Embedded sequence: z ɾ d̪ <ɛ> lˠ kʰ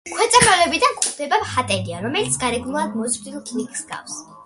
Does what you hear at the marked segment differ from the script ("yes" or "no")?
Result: yes